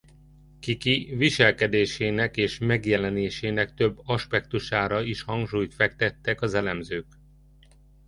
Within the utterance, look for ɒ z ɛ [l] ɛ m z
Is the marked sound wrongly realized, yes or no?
no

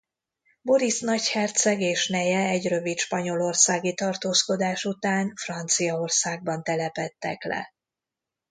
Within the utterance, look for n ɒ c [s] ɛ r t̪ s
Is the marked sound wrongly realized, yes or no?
yes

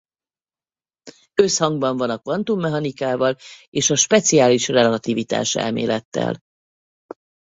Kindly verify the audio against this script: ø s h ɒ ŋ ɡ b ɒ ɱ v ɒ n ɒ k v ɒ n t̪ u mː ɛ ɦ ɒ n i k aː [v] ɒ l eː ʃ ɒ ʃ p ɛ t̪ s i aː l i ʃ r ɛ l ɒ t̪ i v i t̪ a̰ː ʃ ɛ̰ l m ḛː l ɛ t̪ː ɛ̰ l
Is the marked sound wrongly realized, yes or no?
no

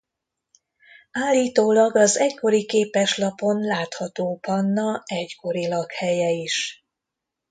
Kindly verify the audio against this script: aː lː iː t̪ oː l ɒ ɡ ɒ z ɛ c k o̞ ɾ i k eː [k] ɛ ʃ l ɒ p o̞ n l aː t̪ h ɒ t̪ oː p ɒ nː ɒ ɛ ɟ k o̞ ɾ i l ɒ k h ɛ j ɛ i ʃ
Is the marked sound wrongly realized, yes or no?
yes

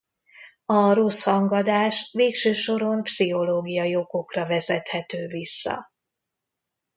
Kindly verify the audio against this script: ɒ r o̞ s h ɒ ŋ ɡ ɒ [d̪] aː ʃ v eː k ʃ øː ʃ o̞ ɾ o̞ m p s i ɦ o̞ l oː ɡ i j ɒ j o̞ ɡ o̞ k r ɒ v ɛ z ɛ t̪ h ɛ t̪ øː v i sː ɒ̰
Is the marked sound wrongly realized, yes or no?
no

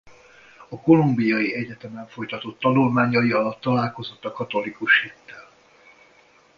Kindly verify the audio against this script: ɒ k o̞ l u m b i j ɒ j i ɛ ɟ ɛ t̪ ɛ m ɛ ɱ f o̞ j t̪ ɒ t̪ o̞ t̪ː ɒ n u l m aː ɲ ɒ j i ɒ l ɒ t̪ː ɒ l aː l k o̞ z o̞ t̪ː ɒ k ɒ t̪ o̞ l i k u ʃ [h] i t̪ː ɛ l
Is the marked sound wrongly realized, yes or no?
no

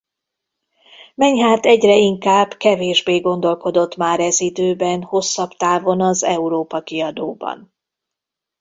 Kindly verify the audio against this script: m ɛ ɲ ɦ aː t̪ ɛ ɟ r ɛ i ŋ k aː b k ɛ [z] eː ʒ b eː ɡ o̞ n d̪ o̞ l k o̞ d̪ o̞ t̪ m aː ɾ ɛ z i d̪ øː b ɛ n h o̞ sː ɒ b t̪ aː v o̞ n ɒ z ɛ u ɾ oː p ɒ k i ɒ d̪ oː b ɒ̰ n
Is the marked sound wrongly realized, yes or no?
yes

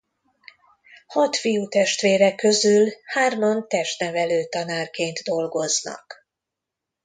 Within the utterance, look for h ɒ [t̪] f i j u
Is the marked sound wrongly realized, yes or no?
no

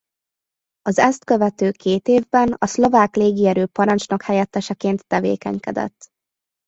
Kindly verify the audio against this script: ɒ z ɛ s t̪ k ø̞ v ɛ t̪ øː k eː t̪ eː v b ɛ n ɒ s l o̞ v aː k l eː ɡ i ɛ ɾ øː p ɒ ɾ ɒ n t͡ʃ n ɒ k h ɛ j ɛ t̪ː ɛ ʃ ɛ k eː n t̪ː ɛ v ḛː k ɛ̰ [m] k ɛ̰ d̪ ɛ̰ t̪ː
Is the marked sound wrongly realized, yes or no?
yes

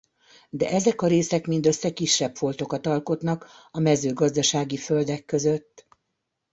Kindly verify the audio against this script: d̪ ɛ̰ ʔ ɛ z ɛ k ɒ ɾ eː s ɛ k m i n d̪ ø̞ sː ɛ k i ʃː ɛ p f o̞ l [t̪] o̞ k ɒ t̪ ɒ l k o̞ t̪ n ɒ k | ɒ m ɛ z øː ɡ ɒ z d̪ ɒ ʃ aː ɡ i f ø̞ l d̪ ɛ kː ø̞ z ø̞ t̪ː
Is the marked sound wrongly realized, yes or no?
no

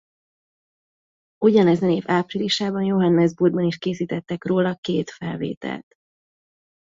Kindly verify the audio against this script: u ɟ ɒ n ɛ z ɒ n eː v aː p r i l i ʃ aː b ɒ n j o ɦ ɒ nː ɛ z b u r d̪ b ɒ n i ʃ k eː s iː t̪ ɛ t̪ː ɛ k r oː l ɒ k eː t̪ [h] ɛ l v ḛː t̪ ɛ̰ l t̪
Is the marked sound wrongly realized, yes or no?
yes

